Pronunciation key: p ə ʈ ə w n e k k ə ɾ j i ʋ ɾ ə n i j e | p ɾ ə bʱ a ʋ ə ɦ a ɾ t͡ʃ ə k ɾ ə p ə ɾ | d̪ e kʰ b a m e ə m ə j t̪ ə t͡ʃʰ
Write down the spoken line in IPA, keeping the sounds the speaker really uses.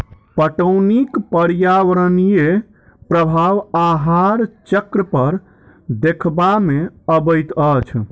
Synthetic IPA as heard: p ə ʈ ə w n i k p ə ɾ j a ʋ ɾ ə n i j e | p ɾ ə bʱ a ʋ a ɦ a ɾ t͡ʃ ə k ɾ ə p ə ɾ | d̪ e kʰ b a m e ə b ə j t̪ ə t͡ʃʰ